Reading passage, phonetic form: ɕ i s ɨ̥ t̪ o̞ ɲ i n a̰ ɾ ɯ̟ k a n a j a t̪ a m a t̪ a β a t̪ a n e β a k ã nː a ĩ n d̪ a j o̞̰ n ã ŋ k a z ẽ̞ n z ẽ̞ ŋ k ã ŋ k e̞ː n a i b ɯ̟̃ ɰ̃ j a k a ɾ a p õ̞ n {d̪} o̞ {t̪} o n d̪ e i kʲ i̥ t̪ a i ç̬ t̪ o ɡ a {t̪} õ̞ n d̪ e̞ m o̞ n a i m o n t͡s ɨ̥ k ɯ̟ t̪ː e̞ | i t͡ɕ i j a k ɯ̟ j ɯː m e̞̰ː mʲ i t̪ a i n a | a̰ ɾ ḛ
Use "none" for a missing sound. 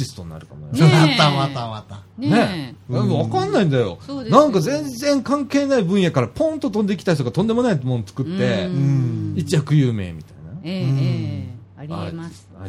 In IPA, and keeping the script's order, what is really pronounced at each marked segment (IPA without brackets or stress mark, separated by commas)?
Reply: t̪, t̪, t̪